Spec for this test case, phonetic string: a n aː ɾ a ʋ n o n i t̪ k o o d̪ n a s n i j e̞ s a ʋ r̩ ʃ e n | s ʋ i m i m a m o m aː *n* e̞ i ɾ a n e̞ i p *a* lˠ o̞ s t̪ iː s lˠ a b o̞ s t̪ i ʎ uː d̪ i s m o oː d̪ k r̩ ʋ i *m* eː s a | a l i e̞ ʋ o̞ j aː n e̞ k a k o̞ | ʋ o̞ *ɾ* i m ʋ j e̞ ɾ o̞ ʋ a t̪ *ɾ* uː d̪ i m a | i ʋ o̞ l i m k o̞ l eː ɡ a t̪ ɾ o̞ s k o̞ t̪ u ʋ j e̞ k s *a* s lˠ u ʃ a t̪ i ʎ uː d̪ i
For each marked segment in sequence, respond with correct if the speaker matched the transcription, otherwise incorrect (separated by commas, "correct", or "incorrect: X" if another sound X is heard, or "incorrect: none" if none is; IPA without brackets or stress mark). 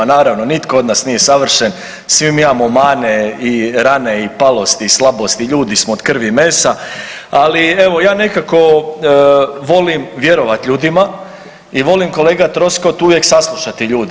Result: correct, correct, correct, incorrect: l, incorrect: ʎ, correct